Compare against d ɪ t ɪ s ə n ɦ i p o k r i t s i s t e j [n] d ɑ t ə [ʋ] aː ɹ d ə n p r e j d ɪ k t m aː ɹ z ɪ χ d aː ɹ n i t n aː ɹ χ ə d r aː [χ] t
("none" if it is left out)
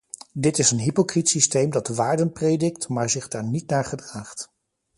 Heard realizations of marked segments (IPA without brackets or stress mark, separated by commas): m, ʋ, χ